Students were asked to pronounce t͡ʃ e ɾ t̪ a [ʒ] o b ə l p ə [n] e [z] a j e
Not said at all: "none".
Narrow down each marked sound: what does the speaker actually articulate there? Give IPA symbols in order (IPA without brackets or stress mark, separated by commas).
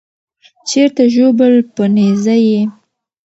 ʒ, n, z